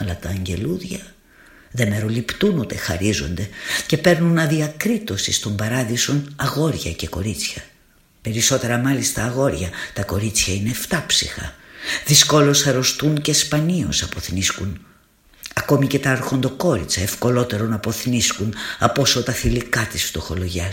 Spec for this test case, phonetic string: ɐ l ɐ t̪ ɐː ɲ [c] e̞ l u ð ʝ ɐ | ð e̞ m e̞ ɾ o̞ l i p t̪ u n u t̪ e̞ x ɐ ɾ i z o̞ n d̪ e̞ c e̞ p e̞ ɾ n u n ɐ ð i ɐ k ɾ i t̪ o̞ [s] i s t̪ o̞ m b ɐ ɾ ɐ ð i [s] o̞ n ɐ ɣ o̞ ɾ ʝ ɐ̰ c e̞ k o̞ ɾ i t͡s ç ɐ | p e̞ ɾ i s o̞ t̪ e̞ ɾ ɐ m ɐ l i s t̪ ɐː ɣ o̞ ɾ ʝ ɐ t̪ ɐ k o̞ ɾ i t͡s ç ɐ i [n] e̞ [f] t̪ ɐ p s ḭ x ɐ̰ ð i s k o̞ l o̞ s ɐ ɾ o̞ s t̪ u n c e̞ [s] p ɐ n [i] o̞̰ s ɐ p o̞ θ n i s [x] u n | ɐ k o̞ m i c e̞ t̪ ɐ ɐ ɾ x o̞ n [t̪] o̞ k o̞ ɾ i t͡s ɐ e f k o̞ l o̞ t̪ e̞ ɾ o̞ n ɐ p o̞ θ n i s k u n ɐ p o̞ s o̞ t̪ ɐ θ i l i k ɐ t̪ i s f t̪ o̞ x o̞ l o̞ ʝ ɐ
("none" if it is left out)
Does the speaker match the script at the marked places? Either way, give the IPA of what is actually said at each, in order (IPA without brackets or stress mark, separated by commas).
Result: ɟ, s, s, n, f, s, i, k, d̪